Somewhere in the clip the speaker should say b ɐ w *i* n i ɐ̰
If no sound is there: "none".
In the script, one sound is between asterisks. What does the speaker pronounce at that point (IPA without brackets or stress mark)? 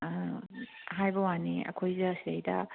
a